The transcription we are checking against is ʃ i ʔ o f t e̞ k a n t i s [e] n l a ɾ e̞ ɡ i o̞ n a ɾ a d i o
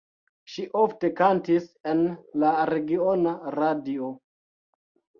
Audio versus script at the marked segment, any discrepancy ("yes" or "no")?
no